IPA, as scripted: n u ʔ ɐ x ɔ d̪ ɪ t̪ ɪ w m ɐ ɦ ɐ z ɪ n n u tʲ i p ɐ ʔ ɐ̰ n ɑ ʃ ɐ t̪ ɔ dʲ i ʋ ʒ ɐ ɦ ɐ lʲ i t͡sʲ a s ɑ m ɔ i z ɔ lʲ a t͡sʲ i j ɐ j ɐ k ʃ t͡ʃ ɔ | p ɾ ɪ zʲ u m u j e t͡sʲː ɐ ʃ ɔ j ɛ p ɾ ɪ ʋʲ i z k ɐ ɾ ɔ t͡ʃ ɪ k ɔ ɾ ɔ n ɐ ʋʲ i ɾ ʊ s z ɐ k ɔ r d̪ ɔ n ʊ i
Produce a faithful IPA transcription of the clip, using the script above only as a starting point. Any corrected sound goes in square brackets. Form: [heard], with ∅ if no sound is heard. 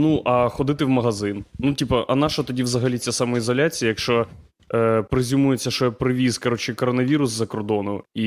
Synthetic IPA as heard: n u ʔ ɐ x ɔ d̪ ɪ t̪ ɪ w m ɐ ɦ ɐ z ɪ n n u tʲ i p ɐ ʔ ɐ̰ n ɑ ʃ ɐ t̪ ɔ dʲ i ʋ [z] ɐ ɦ ɐ lʲ i t͡sʲ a s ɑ m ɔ i z ɔ lʲ a t͡sʲ i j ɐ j ɐ k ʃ t͡ʃ ɔ | p ɾ ɪ zʲ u m u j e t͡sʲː ɐ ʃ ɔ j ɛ p ɾ ɪ ʋʲ i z k ɐ ɾ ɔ t͡ʃ ɪ k ɔ ɾ ɔ n ɐ ʋʲ i ɾ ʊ s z ɐ k ɔ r d̪ ɔ n ʊ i